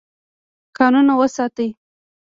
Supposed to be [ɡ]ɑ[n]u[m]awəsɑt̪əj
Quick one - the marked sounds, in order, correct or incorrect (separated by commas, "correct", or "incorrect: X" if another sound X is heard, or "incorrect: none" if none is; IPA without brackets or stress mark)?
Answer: incorrect: k, correct, incorrect: n